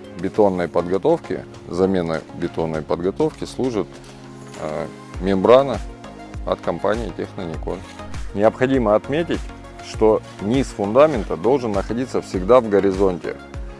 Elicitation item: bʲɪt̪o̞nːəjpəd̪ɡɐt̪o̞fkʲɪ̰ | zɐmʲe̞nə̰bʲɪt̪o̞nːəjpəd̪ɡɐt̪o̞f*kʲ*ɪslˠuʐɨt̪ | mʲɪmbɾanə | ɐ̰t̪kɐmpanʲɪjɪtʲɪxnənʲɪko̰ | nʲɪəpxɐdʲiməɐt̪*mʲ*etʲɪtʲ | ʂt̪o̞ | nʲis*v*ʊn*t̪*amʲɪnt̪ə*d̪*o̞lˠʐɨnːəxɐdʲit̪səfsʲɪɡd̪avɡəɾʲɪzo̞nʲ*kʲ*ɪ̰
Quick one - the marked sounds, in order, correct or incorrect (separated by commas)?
correct, correct, incorrect, incorrect, correct, incorrect